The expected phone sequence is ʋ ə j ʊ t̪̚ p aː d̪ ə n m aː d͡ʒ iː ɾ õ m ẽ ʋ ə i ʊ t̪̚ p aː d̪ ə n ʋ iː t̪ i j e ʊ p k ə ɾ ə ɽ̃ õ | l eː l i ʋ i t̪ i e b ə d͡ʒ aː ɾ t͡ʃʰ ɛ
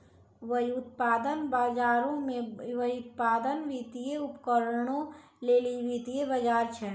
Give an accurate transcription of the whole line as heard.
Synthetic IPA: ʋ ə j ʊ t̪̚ p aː d̪ ə n b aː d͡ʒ aː ɾ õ m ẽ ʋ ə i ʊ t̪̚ p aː d̪ ə n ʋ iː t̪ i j e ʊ p k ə ɾ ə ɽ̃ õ | l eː l i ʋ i t̪ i e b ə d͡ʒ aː ɾ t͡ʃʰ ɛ